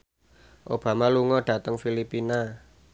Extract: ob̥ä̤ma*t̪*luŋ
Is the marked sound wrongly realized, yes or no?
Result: yes